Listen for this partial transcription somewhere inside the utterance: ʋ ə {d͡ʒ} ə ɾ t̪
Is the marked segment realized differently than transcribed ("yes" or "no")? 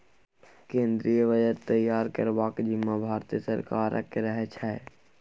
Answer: no